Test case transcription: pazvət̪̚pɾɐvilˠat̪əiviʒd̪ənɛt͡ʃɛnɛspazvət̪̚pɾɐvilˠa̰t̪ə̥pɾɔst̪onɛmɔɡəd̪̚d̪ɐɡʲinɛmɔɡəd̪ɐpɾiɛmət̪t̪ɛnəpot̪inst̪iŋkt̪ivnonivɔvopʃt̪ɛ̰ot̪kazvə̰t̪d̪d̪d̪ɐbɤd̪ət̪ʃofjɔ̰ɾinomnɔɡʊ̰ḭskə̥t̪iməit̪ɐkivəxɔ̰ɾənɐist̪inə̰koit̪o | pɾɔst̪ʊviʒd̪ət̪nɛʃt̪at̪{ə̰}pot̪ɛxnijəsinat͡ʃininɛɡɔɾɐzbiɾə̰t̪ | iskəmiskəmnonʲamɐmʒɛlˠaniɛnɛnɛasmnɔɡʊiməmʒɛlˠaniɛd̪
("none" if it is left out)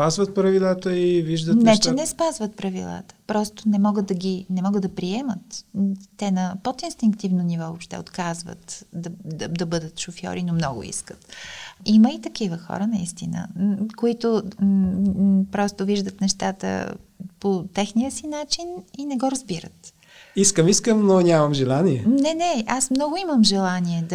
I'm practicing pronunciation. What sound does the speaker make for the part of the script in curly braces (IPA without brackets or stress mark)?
ə̰